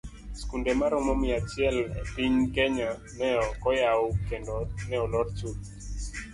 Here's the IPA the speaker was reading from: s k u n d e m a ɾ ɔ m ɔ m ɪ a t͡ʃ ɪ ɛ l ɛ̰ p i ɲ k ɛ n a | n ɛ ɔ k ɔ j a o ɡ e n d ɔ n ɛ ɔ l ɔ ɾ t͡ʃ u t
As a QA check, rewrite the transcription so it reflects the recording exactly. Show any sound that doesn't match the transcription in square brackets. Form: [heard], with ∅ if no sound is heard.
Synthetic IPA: s k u n d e m a ɾ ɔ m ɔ m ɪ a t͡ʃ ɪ ɛ l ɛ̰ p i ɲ k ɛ [ɲ] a | n ɛ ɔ k ɔ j a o [k] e n d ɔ n ɛ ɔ l ɔ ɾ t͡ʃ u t